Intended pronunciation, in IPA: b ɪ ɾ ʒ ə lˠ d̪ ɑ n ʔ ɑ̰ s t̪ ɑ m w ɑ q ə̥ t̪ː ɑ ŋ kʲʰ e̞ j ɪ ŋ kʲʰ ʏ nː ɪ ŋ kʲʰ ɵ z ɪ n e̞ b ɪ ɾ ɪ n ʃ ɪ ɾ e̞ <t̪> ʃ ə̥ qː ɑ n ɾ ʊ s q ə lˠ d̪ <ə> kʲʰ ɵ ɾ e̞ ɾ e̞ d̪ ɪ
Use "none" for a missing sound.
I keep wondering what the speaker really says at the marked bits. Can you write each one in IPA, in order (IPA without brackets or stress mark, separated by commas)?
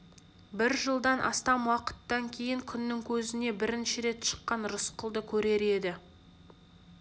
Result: t̪, ə